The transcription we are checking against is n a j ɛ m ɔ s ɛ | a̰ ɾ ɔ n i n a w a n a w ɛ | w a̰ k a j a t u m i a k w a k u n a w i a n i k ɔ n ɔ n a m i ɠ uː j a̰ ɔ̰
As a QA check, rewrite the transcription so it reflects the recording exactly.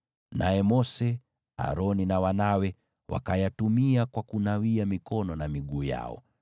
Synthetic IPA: n a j ɛ m ɔ s ɛ | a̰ ɾ ɔ n i n a w a n a w ɛ | w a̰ k a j a t u m i a k w a k u n a w i a m i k ɔ n ɔ n a m i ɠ uː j a̰ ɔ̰